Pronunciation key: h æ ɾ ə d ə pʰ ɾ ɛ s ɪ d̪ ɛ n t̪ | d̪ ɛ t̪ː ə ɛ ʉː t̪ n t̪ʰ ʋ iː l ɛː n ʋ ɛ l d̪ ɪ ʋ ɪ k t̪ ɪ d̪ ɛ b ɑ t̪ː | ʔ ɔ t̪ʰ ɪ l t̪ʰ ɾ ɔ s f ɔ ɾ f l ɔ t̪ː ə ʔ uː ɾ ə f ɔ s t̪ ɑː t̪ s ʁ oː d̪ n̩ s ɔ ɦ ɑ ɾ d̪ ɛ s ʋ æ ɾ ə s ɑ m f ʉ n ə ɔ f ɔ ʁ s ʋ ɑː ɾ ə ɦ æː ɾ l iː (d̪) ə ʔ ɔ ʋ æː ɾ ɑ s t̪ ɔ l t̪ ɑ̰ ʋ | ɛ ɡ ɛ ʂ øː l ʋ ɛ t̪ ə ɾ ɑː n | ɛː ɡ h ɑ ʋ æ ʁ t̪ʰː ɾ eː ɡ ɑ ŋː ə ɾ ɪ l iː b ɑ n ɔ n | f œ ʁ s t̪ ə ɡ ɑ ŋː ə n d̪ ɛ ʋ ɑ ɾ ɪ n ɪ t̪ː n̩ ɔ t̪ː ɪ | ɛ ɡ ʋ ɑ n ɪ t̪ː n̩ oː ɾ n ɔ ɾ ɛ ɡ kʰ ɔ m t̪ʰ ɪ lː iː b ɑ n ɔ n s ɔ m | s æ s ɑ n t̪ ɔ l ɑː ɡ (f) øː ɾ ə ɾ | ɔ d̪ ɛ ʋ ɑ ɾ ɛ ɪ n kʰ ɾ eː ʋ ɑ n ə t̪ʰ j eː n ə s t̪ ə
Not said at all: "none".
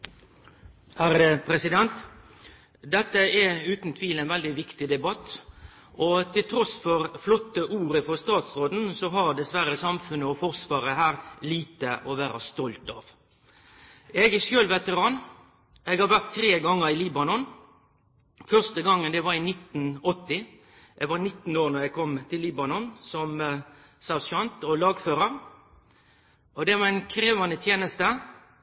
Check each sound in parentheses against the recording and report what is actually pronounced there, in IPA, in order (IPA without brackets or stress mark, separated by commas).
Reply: t̪, f